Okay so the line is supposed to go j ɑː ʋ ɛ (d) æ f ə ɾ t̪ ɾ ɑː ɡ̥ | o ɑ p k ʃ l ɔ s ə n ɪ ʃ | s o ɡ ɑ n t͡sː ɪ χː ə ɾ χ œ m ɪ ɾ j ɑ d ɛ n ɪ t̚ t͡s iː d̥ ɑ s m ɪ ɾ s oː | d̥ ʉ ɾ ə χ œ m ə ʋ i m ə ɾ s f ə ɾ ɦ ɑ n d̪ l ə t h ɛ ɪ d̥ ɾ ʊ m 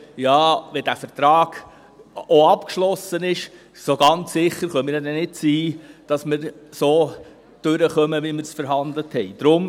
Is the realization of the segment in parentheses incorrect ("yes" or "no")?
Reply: no